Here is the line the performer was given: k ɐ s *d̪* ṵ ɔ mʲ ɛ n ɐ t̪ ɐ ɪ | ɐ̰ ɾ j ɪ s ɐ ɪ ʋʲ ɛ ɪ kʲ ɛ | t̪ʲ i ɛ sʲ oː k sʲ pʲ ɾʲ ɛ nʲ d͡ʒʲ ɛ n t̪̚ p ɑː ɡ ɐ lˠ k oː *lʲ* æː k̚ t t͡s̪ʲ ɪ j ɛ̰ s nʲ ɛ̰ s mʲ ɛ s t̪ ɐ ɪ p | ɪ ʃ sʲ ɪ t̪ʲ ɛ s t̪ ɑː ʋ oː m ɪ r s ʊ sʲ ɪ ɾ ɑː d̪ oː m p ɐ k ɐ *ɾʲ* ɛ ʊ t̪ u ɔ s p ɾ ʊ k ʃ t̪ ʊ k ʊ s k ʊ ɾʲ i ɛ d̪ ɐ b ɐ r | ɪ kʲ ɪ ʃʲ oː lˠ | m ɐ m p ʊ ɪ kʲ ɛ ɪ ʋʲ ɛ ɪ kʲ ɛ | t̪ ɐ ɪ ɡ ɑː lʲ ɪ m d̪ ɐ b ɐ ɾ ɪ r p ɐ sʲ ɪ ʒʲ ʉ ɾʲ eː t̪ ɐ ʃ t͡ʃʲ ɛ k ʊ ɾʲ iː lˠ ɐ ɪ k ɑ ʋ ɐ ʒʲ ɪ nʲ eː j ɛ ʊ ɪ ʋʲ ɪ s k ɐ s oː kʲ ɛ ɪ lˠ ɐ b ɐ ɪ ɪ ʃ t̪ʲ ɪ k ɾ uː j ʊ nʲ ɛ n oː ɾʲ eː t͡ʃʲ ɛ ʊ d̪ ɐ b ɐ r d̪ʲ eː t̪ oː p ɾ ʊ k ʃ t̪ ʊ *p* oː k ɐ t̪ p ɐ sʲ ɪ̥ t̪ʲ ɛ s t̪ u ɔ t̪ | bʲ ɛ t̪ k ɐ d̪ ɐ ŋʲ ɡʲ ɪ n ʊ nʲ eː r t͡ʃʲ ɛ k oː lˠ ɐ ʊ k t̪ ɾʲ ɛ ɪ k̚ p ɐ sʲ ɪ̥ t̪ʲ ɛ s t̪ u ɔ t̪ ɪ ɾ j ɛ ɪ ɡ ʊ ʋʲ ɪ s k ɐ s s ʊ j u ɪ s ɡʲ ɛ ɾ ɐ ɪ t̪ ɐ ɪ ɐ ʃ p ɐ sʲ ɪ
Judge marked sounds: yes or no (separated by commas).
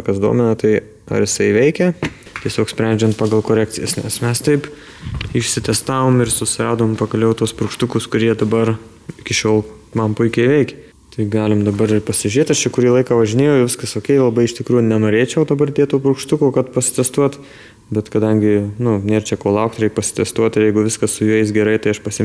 yes, no, no, no